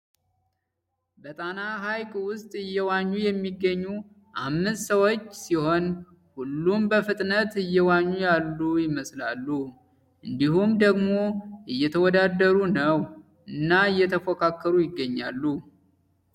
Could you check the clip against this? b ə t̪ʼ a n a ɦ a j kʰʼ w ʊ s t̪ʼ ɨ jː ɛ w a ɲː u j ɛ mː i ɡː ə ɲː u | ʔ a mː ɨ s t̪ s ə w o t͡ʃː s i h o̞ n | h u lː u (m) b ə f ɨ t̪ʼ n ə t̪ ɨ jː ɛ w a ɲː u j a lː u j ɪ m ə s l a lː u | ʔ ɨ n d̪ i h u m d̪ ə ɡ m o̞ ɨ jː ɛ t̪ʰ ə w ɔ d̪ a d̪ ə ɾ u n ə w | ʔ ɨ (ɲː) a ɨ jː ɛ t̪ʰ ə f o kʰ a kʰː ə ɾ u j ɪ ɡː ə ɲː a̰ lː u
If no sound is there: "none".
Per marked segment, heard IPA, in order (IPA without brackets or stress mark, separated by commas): m, nː